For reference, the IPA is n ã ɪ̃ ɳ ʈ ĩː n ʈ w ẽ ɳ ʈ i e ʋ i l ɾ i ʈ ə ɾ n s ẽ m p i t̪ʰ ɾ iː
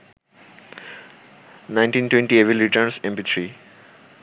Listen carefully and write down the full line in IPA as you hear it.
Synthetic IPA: n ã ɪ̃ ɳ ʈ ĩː n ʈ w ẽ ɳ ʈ i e ʋ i l ɾ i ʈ ə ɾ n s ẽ m p i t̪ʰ ɾ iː